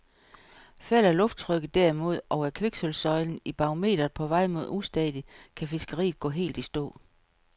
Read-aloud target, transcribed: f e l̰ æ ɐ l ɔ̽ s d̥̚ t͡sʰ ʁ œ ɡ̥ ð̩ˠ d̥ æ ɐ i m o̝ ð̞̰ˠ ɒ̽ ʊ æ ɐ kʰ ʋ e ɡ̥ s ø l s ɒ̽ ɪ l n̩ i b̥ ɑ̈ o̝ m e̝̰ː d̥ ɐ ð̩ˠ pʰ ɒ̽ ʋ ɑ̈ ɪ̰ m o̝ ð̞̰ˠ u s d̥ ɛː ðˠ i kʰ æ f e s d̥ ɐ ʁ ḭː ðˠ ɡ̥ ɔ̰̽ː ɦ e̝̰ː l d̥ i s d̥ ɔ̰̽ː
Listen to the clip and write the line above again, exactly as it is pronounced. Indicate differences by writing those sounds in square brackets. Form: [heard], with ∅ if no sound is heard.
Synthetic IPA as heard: f [æ] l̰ æ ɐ l ɔ̽ [f] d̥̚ t͡sʰ ʁ œ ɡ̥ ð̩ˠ d̥ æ ɐ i m o̝ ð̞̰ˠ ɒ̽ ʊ æ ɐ kʰ ʋ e ɡ̥ s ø l s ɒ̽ ɪ l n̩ i b̥ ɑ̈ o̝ m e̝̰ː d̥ ɐ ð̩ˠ pʰ ɒ̽ ʋ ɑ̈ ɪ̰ m o̝ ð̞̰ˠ u s d̥ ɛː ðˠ i kʰ æ f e s [ɡ̥] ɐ ʁ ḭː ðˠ ɡ̥ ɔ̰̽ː ɦ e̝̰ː l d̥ i s d̥ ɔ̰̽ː

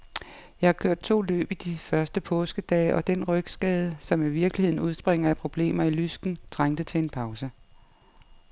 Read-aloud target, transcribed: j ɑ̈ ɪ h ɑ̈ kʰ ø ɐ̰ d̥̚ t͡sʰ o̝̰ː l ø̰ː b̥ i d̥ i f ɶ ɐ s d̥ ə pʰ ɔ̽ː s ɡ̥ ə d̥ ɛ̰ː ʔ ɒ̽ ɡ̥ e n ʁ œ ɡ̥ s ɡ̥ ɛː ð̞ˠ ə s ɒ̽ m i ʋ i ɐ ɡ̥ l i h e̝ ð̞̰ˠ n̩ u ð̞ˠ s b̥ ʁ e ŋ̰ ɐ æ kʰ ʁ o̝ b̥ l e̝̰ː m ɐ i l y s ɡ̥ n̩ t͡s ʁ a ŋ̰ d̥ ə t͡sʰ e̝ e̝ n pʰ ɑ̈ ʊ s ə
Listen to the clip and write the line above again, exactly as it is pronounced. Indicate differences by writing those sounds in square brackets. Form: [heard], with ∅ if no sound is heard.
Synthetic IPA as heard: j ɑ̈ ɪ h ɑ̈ kʰ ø ɐ̰ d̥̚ t͡sʰ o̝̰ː l ø̰ː b̥ i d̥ i f ɶ ɐ s d̥ ə pʰ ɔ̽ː s ɡ̥ ə d̥ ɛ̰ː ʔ ɒ̽ [d̥] e n ʁ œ ɡ̥ s ɡ̥ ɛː ð̞ˠ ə s ɒ̽ m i ʋ i ɐ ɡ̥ l i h e̝ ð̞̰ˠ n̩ u ð̞ˠ s b̥ ʁ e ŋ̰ ɐ æ [pʰ] ʁ o̝ b̥ l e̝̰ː m ɐ i l y s ɡ̥ n̩ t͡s ʁ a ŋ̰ d̥ ə t͡sʰ e̝ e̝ n pʰ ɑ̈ ʊ s ə

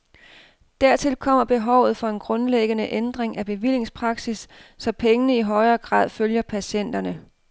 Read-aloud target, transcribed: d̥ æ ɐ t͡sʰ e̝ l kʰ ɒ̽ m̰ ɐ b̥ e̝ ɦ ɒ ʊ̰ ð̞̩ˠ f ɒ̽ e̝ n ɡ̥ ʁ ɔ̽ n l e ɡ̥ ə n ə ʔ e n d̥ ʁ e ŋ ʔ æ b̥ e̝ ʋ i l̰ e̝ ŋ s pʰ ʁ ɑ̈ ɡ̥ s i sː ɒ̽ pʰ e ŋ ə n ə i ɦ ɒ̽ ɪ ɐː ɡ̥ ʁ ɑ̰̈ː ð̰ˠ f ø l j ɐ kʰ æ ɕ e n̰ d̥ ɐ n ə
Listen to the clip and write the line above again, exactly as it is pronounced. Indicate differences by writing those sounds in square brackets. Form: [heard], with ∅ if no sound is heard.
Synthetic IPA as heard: d̥ æ ɐ t͡sʰ e̝ l kʰ ɒ̽ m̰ ɐ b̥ e̝ ɦ ɒ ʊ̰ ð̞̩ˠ f ɒ̽ e̝ n ɡ̥ ʁ ɔ̽ n l e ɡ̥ ə n ə ʔ e n d̥ ʁ e ŋ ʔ æ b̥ e̝ ʋ i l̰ e̝ ŋ s pʰ ʁ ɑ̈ ɡ̥ s i sː ɒ̽ pʰ e ŋ ə n ə i ɦ ɒ̽ ɪ ɐː ɡ̥ ʁ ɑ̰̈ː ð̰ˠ f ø l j ɐ [pʰ] æ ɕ e n̰ d̥ ɐ n ə

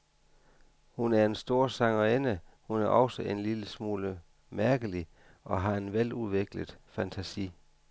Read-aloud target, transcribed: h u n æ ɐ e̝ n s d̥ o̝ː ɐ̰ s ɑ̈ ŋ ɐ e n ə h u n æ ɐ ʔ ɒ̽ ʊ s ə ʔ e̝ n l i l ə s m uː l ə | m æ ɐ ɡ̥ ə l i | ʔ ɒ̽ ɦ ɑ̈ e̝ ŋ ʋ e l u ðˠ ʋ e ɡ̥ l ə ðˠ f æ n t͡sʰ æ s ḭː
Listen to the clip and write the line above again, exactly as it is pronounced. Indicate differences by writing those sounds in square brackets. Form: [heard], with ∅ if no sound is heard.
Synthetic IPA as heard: h u n æ ɐ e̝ n s d̥ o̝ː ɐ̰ s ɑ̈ ŋ ɐ e n ə h u n æ ɐ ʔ ɒ̽ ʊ s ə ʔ e̝ n l i l ə s m uː l ə | m æ ɐ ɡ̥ ə l i | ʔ ɒ̽ ɦ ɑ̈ e̝ [n] ʋ e l u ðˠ ʋ e ɡ̥ l ə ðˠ f æ n t͡sʰ æ s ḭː

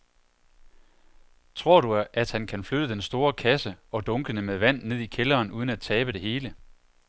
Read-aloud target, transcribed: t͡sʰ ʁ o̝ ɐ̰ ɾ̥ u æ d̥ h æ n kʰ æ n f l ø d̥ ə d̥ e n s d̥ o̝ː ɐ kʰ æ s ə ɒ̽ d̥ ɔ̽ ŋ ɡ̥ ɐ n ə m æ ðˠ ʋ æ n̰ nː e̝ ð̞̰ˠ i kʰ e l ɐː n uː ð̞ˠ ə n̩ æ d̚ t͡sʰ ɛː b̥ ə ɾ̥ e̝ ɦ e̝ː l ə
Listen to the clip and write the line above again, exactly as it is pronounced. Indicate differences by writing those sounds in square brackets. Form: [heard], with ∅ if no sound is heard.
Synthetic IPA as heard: t͡sʰ ʁ o̝ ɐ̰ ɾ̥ u æ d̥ h æ n kʰ æ n f l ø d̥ ə d̥ e n s d̥ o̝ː ɐ kʰ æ s ə ɒ̽ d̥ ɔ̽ ŋ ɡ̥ [ə] n ə m [e] ðˠ ʋ æ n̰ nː e̝ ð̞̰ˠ i kʰ e l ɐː n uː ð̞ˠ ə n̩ æ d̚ t͡sʰ ɛː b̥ ə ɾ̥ e̝ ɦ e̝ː l ə

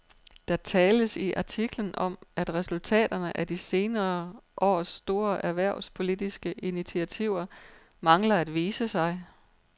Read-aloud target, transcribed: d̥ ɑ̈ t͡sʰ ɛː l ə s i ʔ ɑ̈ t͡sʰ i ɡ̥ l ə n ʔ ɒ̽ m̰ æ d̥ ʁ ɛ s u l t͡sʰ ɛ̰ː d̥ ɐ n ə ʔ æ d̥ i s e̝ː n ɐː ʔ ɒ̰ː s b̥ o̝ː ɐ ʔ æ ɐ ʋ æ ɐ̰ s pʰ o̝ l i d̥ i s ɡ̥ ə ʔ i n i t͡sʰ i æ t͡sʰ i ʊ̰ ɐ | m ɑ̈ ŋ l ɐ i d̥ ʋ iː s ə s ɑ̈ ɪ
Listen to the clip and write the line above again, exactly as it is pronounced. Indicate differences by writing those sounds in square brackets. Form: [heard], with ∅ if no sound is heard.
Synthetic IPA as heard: d̥ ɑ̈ t͡sʰ ɛː l ə s i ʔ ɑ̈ t͡sʰ i ɡ̥ l ə n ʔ ɒ̽ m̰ æ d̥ ʁ ɛ s u l t͡sʰ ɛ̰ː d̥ ɐ n ə ʔ æ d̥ i s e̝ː n ɐː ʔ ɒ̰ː s [d̥] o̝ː ɐ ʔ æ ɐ ʋ æ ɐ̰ s pʰ o̝ l i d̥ i s ɡ̥ ə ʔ i n i t͡sʰ i æ t͡sʰ i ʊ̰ ɐ | m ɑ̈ ŋ l ɐ [æ] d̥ ʋ iː s ə s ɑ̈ ɪ

